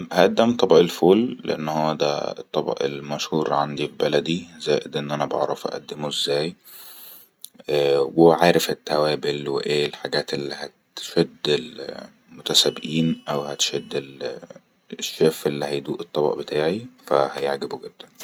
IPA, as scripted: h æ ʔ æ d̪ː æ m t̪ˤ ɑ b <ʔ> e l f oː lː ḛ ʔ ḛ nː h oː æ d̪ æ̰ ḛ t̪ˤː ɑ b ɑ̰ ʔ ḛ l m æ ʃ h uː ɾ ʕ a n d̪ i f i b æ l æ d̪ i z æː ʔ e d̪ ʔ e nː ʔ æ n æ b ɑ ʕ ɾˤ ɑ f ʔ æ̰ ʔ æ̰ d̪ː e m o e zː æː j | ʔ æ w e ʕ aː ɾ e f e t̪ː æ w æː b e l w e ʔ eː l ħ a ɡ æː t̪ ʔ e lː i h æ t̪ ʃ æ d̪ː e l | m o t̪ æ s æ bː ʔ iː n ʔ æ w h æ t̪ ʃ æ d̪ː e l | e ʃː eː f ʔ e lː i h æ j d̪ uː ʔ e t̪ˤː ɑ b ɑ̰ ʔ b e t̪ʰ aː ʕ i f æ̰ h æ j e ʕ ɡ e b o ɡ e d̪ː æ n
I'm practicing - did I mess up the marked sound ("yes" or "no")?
no